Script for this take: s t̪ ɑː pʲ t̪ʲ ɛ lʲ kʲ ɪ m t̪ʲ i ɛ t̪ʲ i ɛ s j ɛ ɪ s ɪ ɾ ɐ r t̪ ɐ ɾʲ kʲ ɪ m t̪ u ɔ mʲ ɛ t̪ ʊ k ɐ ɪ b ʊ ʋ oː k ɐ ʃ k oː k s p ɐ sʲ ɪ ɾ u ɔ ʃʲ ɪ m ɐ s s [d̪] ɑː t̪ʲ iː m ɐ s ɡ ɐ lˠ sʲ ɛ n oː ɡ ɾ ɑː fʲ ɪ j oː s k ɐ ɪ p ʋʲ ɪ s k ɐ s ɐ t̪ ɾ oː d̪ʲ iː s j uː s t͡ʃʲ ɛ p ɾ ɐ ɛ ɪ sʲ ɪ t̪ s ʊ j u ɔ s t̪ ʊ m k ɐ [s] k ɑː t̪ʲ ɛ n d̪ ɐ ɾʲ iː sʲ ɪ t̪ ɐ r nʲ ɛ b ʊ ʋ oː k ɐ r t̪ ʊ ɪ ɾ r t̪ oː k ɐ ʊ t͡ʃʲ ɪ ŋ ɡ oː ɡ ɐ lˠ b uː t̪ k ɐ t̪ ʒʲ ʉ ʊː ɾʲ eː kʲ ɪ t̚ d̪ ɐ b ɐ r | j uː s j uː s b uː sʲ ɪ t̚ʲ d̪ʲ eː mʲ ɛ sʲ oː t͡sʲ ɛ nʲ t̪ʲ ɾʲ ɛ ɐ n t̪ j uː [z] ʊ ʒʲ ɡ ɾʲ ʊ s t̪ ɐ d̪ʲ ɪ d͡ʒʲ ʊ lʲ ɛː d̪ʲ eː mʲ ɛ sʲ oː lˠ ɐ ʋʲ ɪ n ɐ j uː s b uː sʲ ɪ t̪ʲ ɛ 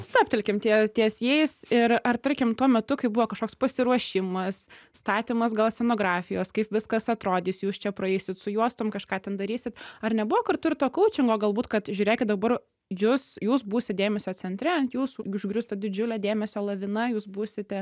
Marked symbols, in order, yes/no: no, no, no

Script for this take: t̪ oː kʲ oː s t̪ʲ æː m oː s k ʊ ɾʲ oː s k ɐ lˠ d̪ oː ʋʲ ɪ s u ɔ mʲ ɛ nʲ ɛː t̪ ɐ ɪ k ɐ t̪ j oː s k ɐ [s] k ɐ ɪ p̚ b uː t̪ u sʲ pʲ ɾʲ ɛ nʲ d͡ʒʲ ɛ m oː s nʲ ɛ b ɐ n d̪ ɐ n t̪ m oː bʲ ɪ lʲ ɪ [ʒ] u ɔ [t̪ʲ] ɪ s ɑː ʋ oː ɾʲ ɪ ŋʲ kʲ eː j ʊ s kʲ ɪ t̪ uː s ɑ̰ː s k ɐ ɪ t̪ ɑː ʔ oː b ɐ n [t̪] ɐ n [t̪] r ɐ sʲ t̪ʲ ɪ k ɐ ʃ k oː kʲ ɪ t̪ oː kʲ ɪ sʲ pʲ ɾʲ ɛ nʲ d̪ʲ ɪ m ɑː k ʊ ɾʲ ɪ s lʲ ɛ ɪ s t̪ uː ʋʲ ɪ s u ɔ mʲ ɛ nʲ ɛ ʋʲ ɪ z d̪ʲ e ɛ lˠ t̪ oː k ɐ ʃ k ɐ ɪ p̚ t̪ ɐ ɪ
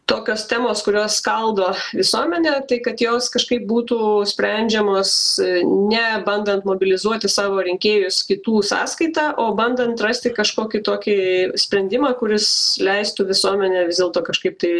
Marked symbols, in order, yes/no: no, no, yes, no, yes

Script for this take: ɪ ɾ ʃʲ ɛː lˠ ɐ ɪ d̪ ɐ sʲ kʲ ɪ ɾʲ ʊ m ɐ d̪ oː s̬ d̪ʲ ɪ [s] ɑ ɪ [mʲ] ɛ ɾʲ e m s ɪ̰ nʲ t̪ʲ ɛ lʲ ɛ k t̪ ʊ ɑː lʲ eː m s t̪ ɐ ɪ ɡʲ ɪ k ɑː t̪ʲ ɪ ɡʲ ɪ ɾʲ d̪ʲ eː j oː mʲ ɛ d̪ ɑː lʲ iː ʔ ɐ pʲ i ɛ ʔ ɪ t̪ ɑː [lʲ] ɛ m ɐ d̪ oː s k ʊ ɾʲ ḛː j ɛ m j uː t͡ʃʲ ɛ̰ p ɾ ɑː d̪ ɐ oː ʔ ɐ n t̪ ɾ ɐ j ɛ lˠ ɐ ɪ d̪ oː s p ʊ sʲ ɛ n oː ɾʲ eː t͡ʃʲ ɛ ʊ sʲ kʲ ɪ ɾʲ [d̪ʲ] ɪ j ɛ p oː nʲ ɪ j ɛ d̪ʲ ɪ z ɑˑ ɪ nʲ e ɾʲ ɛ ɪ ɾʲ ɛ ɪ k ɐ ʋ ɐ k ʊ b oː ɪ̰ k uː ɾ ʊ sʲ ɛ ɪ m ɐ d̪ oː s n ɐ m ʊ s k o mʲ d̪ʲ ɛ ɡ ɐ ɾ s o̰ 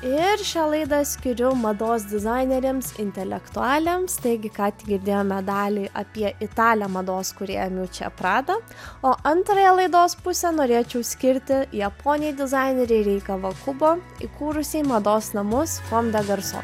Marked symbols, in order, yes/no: no, no, yes, no

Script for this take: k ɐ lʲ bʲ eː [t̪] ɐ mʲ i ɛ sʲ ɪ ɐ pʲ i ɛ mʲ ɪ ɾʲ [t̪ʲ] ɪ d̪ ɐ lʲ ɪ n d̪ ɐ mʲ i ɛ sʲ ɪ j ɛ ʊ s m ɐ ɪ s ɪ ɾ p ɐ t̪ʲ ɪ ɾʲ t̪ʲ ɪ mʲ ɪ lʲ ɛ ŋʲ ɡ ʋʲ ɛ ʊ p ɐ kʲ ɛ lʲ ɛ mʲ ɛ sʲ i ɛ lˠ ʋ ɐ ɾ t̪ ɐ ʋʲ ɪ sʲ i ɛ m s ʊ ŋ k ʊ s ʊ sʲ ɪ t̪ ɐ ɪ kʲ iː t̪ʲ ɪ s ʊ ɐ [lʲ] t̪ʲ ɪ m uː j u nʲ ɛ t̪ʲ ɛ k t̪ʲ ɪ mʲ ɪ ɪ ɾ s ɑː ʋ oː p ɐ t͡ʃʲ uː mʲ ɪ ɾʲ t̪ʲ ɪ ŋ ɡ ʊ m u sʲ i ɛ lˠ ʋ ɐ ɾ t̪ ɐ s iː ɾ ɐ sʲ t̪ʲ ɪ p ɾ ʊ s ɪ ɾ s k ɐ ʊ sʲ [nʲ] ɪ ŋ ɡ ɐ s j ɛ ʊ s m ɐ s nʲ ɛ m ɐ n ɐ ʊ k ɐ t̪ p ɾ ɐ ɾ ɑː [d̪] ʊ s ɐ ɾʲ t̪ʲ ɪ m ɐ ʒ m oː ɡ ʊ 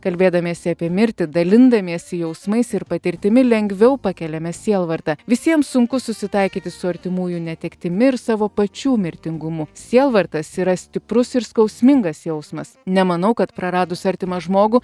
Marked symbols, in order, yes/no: no, yes, no, no, yes

